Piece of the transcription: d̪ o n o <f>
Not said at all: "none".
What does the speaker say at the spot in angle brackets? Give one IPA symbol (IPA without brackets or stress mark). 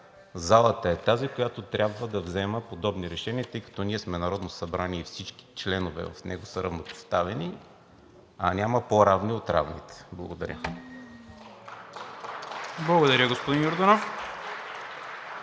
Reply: f